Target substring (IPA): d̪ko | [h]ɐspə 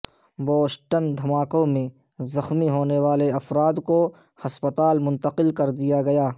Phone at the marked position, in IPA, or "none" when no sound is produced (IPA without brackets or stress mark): h